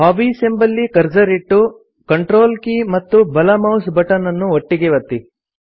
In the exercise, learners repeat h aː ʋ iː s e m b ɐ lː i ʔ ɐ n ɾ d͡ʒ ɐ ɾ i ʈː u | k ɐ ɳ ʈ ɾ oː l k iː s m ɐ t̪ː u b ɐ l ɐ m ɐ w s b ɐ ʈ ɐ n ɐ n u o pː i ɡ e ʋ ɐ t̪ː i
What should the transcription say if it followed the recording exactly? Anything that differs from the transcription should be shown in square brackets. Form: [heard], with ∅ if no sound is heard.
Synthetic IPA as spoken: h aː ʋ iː s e m b ɐ lː i [k] ɐ [∅] ɾ d͡ʒ ɐ ɾ i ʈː u | k ɐ ɳ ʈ ɾ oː l k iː [∅] m ɐ t̪ː u b ɐ l ɐ m ɐ w s b ɐ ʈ ɐ n ɐ [nː] u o [ʈː] i ɡ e ʋ ɐ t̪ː i